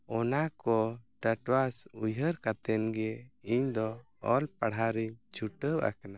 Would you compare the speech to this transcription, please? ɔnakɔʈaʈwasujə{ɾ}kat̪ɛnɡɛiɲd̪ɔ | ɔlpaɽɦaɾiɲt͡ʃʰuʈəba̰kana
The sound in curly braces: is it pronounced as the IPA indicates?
yes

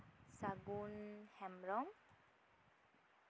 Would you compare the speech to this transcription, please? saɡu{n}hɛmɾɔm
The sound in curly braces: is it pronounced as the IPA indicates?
yes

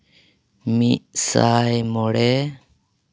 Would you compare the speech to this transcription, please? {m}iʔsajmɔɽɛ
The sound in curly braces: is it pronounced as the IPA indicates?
yes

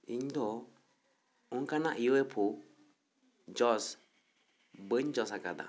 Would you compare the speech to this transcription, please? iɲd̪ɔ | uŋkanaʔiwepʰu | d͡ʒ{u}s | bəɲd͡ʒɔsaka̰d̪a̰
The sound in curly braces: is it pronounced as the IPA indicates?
no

